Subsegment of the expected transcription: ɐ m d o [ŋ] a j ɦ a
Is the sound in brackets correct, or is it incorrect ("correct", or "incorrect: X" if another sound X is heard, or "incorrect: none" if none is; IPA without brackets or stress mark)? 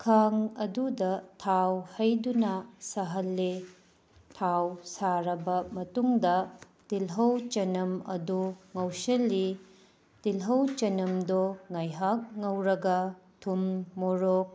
correct